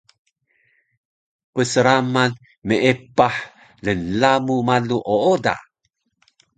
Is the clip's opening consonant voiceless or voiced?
voiceless